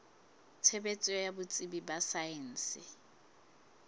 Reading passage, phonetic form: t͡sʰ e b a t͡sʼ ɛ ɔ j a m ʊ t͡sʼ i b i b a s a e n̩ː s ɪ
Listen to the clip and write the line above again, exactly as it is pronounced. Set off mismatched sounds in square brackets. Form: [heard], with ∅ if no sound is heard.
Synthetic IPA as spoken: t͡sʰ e b [e] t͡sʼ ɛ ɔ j a [b] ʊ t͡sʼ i b i b a s a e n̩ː s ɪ